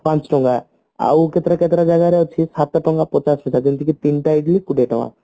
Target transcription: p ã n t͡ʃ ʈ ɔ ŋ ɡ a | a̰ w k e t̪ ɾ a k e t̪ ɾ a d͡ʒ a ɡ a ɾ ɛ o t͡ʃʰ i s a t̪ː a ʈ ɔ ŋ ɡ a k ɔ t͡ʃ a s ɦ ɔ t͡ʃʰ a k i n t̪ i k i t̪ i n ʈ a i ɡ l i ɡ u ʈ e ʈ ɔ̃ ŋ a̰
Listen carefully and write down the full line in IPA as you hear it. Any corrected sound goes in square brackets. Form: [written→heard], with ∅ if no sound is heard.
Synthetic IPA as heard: p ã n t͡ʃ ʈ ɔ ŋ ɡ a | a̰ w k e t̪ ɾ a k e t̪ ɾ a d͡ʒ a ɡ a ɾ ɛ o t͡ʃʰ i s a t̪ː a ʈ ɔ ŋ ɡ a [k→p] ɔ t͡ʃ a s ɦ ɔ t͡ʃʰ a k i n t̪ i k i t̪ i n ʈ a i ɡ l i [ɡ→k] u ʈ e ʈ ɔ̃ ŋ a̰